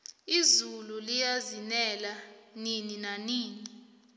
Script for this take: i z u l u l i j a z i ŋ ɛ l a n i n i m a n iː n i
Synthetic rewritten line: i z u l u l i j a z i n ɛ l a n i n i n a n iː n i